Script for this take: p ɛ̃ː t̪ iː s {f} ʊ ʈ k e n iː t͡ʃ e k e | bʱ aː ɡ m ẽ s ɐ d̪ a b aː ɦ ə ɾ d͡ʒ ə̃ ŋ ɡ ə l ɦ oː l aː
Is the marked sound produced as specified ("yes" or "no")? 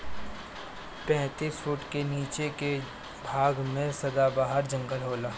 yes